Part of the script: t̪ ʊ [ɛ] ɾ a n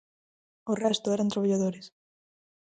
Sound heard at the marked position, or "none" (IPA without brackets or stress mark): ɛ